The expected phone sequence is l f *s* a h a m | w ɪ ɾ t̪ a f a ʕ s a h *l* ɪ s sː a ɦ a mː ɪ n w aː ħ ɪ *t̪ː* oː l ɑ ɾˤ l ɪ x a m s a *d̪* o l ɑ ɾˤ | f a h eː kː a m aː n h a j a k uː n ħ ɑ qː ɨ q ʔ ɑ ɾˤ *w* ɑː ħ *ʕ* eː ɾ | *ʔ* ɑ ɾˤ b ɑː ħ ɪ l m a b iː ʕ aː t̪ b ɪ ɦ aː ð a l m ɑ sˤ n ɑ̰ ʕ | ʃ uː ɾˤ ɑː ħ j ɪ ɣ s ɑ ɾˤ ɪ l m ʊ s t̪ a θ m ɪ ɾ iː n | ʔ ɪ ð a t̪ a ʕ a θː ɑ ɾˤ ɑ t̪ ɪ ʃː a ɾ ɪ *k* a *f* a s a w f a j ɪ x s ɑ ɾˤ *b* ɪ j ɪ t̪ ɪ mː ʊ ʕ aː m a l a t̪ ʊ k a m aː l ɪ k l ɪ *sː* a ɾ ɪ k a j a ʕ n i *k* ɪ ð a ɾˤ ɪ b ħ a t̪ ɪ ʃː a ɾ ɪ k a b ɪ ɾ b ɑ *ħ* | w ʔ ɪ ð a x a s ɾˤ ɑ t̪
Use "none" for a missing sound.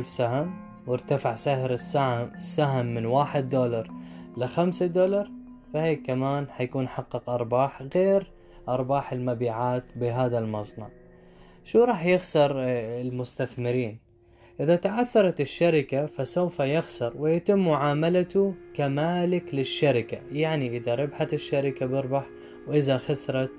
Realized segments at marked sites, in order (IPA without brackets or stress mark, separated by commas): s, ɾ, d̪ː, d̪, b, ɣ, ʔ, k, f, w, ʃː, ʔ, ħ